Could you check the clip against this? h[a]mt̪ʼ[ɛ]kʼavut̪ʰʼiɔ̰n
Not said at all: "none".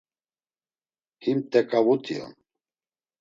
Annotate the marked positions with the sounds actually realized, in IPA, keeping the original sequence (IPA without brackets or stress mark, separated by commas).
i, ɛ